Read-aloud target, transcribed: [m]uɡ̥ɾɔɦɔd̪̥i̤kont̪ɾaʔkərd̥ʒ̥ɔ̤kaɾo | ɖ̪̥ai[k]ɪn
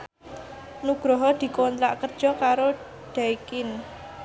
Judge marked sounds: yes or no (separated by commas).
no, yes